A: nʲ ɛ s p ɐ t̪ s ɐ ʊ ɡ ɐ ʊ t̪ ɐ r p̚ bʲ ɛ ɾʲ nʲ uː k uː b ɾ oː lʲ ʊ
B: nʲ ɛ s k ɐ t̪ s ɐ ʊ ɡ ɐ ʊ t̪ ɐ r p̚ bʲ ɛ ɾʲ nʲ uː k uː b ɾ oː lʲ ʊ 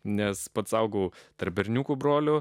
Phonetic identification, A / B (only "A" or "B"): A